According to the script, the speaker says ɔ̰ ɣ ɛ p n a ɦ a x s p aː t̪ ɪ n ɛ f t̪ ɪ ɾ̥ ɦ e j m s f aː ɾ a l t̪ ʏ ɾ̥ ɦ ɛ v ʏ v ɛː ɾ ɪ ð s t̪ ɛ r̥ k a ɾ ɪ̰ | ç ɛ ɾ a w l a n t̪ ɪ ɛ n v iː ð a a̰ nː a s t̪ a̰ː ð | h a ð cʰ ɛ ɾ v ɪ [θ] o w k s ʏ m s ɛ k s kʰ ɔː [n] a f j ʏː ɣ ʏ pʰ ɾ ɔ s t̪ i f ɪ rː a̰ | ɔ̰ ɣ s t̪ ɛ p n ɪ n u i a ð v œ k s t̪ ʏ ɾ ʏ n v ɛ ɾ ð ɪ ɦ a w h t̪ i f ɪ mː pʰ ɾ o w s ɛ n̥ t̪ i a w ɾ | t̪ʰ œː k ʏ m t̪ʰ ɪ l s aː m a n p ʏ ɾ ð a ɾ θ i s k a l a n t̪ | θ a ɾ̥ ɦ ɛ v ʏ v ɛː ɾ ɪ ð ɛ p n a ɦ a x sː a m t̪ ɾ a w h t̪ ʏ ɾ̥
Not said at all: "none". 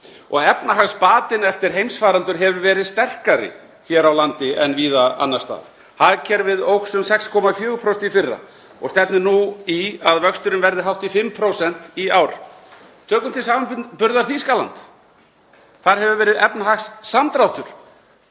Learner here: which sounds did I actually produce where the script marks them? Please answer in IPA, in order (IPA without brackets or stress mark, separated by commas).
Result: ð, m